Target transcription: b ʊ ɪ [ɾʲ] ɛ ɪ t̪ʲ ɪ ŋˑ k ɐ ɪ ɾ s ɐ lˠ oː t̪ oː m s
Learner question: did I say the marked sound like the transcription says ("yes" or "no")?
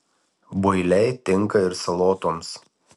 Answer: no